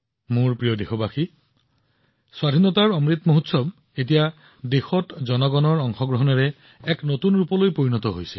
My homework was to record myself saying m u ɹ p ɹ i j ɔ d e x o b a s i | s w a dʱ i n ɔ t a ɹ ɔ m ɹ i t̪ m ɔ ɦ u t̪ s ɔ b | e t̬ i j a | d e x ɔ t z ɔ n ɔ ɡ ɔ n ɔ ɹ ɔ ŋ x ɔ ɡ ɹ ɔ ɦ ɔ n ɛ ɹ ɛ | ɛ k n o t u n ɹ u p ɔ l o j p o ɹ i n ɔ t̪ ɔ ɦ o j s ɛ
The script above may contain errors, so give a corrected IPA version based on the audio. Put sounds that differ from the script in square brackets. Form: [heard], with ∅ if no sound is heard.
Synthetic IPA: m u ɹ p ɹ i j ɔ d e x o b a [x] i | s w a dʱ i n ɔ t a ɹ ɔ m ɹ i t̪ m [o] ɦ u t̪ s ɔ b | e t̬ i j a | d e x ɔ t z ɔ n ɔ ɡ ɔ n ɔ ɹ ɔ ŋ x ɔ ɡ ɹ ɔ ɦ ɔ n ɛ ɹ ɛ | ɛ k n o t u n ɹ u p ɔ l o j p o ɹ i n ɔ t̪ ɔ ɦ o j s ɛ